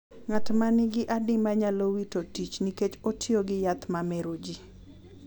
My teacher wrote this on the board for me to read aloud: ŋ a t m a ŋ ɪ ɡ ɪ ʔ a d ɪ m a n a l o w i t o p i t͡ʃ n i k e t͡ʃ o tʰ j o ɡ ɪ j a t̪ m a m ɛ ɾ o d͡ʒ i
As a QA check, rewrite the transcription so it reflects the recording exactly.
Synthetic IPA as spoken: ŋ a t m a n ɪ ɡ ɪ ʔ a d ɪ m a ɲ a l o w i t o t i t͡ʃ n i k e t͡ʃ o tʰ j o ɡ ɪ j a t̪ m a m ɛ ɾ o d͡ʒ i

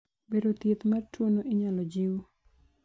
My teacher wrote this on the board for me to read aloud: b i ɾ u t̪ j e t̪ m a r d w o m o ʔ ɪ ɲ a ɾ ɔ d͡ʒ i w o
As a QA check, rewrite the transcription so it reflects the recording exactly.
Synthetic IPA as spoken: b e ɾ o t̪ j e t̪ m a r t w o n o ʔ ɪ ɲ a l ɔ d͡ʒ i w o

